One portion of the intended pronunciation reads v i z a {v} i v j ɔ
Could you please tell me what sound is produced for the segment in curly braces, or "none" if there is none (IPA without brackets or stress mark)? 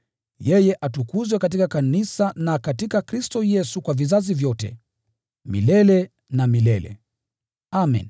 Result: z